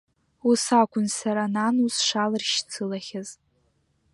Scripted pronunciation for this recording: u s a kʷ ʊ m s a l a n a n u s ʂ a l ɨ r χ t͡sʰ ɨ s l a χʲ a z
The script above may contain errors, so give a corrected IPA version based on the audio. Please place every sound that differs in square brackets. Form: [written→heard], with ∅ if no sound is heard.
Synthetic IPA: u s a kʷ ʊ [m→n] s a [l→ɾ] a n a n u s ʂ a l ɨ r [χ→ʃ] t͡sʰ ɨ [s→∅] l a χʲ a z